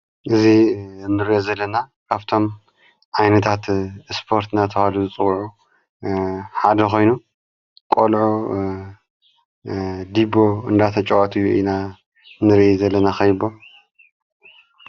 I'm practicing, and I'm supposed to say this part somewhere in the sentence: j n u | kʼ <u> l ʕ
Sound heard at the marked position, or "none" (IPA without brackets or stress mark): o